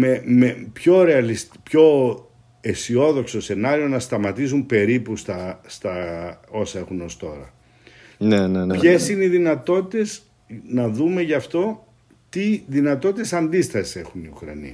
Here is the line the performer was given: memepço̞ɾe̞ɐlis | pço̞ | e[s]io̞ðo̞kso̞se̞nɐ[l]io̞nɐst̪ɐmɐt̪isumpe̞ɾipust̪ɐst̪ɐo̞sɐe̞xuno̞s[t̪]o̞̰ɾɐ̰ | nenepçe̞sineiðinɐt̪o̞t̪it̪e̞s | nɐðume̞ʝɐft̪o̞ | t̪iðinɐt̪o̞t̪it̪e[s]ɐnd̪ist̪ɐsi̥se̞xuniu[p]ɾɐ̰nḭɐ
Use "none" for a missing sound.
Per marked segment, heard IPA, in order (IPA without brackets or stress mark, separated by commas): s, ɾ, t̪, s, k